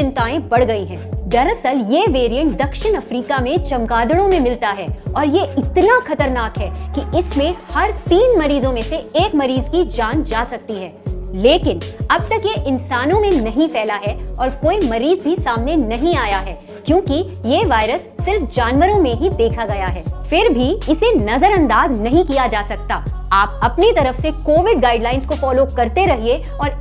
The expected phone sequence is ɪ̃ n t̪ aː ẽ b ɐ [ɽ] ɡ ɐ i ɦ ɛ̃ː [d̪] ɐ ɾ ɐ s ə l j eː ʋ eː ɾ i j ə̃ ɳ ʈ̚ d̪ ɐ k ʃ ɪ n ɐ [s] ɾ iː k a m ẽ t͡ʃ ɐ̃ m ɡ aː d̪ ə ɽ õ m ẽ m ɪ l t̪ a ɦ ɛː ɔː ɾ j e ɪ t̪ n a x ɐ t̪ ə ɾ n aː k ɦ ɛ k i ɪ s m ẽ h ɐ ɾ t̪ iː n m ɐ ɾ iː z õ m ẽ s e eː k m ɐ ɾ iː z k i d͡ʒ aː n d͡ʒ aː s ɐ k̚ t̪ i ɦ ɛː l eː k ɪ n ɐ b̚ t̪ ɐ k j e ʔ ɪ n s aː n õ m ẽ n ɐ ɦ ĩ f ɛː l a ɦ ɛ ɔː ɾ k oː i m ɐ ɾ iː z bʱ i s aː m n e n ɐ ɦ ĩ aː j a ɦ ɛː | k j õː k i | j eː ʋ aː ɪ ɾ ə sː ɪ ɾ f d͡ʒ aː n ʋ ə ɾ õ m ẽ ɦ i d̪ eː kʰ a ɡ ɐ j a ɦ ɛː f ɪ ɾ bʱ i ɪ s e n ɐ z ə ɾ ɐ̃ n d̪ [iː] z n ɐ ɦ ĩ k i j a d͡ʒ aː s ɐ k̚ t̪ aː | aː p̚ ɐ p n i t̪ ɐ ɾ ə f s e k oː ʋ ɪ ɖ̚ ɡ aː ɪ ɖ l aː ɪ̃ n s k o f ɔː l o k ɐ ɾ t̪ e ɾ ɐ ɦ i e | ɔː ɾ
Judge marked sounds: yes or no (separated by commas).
yes, yes, no, no